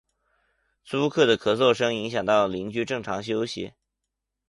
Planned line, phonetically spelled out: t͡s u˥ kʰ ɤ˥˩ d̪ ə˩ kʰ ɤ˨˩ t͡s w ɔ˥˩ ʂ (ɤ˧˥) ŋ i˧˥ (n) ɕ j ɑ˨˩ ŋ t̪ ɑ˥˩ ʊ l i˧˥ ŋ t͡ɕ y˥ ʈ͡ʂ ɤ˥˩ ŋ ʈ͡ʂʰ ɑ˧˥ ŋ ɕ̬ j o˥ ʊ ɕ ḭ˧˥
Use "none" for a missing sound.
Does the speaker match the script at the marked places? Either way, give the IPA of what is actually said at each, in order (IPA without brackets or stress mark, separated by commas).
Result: ɤ˥, ŋ